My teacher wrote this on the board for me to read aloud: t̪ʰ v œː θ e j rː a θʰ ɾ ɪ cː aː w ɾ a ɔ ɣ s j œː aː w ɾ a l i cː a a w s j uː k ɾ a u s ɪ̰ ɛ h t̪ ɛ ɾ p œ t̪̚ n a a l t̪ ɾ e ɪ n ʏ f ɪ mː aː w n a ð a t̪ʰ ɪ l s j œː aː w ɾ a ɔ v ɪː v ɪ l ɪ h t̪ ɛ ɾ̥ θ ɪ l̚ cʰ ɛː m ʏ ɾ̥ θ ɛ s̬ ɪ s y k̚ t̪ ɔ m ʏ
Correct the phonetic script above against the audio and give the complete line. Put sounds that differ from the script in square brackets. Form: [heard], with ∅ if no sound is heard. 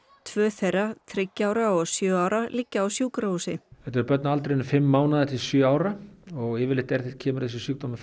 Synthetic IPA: t̪ʰ v œː θ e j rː a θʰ ɾ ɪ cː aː w ɾ a ɔ ɣ s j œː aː w ɾ a l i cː a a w s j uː k ɾ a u s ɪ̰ ɛ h t̪ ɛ ɾ p œ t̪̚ n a a l t̪ ɾ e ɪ n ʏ f ɪ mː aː w n a ð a t̪ʰ ɪ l s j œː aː w ɾ a ɔ [ɣ] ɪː v ɪ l ɪ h t̪ ɛ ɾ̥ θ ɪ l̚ cʰ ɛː m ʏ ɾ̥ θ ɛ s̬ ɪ s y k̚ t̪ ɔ m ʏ